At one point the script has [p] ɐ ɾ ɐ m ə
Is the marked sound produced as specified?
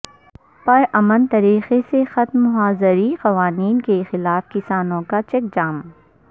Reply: yes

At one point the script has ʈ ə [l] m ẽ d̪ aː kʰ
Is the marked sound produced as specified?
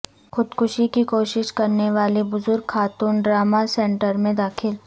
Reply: no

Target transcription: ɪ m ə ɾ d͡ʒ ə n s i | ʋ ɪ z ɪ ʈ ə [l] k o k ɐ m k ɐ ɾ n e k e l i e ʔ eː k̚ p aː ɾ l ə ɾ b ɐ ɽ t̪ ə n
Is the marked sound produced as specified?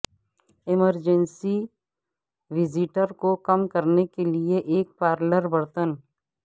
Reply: no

